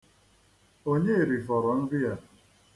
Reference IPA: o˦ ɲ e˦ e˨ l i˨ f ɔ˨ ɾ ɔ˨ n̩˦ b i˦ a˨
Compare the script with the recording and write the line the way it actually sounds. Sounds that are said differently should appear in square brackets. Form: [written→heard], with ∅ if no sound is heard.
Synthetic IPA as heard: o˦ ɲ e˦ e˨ [l→ɾ] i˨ f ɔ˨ ɾ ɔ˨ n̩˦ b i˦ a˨